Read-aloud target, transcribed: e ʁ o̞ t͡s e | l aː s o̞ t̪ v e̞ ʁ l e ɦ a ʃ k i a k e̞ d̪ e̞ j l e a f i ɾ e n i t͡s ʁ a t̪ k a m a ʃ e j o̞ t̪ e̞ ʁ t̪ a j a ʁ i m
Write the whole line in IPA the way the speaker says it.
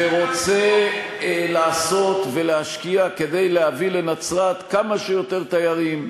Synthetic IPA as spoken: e ʁ o̞ t͡s e | l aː s o̞ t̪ v e̞ l e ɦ a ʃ k i a k e̞ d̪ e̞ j l e a v i l e n a t͡s ʁ a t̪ k a m a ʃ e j o̞ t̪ e̞ ʁ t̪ a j a ʁ i m